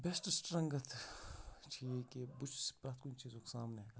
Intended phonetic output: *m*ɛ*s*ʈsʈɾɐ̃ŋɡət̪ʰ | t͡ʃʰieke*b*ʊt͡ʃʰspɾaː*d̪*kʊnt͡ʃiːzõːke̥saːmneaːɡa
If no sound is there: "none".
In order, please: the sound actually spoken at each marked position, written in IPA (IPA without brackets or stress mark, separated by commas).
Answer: b, s, b, t̪